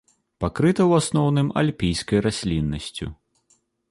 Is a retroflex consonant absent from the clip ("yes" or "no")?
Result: yes